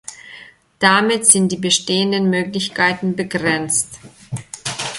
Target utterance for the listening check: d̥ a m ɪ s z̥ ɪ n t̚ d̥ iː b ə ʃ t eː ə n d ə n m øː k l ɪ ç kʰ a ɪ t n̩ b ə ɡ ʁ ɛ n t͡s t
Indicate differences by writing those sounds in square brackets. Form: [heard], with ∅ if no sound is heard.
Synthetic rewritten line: d̥ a m ɪ [t] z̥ ɪ n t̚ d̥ iː b ə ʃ t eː ə n d ə n m øː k l ɪ ç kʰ a ɪ t n̩ b ə ɡ ʁ ɛ n t͡s t

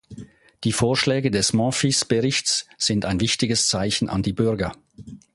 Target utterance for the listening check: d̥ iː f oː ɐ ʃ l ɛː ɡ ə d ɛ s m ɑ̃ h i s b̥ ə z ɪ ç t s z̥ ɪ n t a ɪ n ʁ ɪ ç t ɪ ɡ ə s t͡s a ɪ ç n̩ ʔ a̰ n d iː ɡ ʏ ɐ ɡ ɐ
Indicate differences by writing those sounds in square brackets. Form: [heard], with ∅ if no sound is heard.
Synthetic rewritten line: d̥ iː f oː ɐ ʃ l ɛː ɡ ə d ɛ s m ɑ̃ [f] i s b̥ ə [ʁ] ɪ ç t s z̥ ɪ n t a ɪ n [v] ɪ ç t ɪ ɡ ə s t͡s a ɪ ç n̩ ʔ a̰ n d iː [b] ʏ ɐ ɡ ɐ

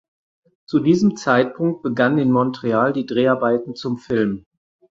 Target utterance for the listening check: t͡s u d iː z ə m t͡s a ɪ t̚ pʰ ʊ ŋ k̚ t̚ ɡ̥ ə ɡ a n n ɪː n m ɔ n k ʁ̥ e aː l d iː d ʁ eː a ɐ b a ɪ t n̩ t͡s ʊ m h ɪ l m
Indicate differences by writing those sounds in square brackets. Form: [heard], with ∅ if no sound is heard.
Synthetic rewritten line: t͡s u d iː z ə m t͡s a ɪ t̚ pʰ ʊ ŋ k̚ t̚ [b̥] ə ɡ a n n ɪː n m ɔ n [t] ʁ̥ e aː l d iː d ʁ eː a ɐ b a ɪ t n̩ t͡s ʊ m [f] ɪ l m

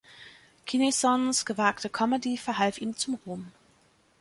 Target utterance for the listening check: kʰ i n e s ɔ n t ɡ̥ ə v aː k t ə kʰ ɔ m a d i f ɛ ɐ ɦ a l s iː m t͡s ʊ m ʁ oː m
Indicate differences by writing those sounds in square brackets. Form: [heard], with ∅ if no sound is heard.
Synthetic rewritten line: kʰ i n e s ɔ n [s] ɡ̥ ə v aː k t ə kʰ ɔ m [ə] d i f ɛ ɐ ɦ a l [f] iː m t͡s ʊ m ʁ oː m

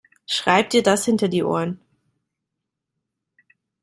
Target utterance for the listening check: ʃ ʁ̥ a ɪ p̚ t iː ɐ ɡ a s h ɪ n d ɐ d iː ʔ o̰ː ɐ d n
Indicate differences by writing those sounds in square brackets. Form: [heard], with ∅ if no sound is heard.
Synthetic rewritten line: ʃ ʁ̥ a ɪ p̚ t iː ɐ [d] a s h ɪ n [t] ɐ d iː ʔ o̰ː ɐ [∅] n

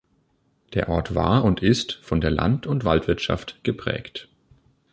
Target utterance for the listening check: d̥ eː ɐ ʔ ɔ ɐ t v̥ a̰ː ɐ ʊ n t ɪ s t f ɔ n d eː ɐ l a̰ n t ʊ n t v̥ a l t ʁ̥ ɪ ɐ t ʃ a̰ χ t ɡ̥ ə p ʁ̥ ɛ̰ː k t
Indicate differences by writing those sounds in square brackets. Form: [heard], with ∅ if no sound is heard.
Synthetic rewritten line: d̥ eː ɐ ʔ ɔ ɐ t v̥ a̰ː ɐ ʊ n t ɪ s t f ɔ n d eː ɐ l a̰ n t ʊ n t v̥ a l t [v̥] ɪ ɐ t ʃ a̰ [f] t ɡ̥ ə p ʁ̥ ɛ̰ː k t

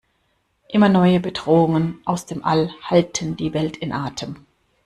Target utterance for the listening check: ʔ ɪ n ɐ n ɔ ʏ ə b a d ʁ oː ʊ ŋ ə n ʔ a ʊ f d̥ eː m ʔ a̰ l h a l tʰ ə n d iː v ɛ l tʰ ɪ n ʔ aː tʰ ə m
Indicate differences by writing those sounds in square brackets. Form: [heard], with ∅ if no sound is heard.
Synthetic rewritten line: ʔ ɪ [m] ɐ n ɔ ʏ ə b [ə] d ʁ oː ʊ ŋ ə n ʔ a ʊ [s] d̥ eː m ʔ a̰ l h a l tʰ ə n d iː v ɛ l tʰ ɪ n ʔ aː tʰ ə m

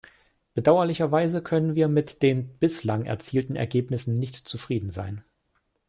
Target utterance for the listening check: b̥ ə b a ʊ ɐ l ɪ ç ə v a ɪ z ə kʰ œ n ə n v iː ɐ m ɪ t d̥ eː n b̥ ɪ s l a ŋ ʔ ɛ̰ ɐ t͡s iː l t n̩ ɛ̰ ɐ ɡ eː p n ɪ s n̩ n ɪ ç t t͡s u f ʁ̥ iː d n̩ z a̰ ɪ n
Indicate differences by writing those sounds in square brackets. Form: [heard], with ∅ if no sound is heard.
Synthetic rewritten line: b̥ ə [d] a ʊ ɐ l ɪ ç [ɐ] v a ɪ z ə kʰ œ n ə n v iː ɐ m ɪ t d̥ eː n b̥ ɪ s l a ŋ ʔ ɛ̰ ɐ t͡s iː l t n̩ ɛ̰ ɐ ɡ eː p n ɪ s n̩ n ɪ ç t t͡s u f ʁ̥ iː d n̩ z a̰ ɪ n

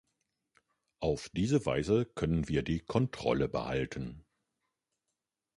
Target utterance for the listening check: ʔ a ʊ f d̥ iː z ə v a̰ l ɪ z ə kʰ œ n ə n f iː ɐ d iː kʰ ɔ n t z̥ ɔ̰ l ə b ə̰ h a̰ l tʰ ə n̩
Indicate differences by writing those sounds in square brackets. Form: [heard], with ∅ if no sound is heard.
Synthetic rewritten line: ʔ a ʊ f d̥ iː z ə v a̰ [∅] ɪ z ə kʰ œ n ə n [v] iː ɐ d iː kʰ ɔ n t [ʁ̥] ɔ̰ l ə b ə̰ h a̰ l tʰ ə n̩

